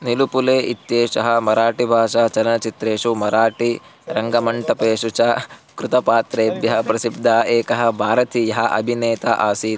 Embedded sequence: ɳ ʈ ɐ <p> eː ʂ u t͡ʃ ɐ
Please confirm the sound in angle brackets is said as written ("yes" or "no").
yes